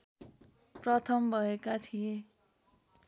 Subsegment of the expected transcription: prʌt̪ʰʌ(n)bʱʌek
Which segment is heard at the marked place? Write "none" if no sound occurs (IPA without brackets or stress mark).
m